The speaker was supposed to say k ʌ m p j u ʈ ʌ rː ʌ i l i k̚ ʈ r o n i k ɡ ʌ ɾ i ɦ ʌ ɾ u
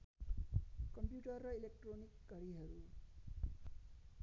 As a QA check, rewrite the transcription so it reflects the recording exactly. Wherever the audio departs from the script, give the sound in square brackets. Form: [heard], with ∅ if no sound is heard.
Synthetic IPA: k ʌ m p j u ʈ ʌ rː ʌ i l [e] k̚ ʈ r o n i k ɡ ʌ ɾ i ɦ ʌ ɾ u